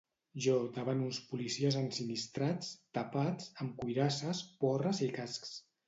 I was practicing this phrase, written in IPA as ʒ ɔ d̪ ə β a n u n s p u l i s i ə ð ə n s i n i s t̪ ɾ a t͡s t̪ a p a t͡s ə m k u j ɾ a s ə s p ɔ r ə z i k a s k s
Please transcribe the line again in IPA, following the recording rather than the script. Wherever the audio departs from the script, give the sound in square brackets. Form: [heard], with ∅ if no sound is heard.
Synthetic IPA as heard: ʒ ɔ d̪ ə β a n u n s p u l i s i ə [z] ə n s i n i s t̪ ɾ a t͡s t̪ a p a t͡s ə m k u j ɾ a s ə s p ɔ r ə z i k a s k s